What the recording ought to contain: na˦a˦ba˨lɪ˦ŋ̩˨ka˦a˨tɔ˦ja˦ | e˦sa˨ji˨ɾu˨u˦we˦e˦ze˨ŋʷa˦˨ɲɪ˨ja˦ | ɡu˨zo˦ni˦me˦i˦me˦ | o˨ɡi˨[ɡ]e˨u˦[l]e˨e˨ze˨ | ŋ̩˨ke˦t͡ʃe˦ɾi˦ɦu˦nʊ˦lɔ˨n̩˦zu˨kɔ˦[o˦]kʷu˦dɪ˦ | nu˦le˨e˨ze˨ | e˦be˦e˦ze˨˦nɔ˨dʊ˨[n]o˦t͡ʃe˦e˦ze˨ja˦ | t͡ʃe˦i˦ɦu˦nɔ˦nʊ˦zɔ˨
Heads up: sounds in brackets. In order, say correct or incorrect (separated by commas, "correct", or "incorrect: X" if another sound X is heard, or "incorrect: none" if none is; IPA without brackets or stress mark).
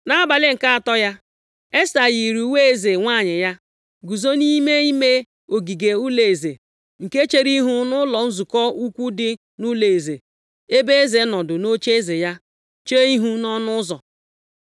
correct, correct, incorrect: u˦, correct